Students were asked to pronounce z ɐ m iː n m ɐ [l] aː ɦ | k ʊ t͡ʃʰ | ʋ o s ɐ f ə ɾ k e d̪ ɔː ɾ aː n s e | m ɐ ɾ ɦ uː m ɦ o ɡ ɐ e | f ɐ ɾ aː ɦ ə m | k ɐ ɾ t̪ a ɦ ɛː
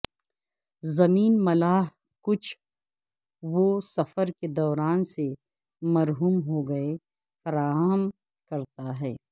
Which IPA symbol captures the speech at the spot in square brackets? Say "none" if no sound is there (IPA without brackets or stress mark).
l